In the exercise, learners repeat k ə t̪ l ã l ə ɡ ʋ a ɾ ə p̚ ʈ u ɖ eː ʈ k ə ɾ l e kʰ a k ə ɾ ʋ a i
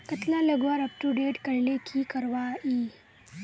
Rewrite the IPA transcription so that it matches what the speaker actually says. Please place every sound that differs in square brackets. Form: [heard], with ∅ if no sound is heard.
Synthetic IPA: k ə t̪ l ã l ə ɡ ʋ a ɾ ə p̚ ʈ u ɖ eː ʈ k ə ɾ l e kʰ [i] k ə ɾ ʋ a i